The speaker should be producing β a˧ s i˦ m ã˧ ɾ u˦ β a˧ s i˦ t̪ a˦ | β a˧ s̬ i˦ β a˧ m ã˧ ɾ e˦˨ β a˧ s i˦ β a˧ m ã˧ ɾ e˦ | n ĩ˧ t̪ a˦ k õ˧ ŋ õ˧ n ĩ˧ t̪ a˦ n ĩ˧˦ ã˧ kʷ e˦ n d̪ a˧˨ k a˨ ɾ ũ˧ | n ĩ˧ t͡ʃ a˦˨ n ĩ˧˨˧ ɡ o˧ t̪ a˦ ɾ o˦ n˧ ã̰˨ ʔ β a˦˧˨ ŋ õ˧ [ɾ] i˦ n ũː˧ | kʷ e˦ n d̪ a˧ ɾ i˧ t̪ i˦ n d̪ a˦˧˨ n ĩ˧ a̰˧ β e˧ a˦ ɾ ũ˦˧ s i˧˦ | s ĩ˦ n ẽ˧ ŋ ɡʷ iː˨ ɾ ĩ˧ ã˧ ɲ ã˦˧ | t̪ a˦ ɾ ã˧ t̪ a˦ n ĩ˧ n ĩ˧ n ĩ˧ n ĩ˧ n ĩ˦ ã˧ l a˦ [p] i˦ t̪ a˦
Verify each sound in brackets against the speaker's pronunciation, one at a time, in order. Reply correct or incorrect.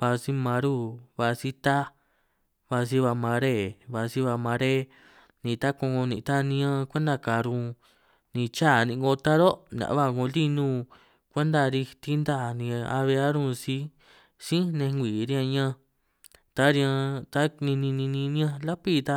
incorrect: l, correct

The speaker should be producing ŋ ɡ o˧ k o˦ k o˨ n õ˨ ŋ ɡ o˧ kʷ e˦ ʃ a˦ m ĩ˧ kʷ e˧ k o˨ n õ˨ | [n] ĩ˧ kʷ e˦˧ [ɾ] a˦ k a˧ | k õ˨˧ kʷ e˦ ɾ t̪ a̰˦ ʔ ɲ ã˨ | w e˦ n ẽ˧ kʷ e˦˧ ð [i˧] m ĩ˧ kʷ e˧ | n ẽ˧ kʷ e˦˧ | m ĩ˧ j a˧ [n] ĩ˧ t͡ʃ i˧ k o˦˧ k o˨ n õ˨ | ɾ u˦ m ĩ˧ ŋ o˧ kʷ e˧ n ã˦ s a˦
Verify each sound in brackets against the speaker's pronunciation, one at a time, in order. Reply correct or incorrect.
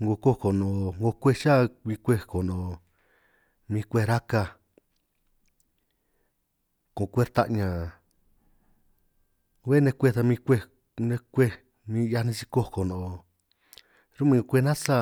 incorrect: m, correct, incorrect: a˧, correct

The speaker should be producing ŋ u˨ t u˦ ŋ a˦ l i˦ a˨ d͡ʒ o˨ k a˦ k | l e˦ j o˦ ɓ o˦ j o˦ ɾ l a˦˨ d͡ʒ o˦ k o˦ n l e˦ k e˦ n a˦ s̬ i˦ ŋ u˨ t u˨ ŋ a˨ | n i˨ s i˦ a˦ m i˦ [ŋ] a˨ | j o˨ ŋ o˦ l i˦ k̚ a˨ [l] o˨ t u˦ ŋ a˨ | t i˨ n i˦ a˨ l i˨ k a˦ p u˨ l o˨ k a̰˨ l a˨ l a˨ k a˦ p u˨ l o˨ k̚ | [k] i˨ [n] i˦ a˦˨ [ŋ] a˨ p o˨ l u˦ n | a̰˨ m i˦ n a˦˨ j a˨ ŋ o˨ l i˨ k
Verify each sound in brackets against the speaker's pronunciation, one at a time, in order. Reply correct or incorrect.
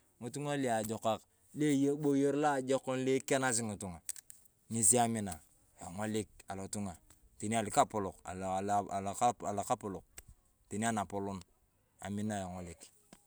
incorrect: n, correct, incorrect: t, correct, incorrect: n

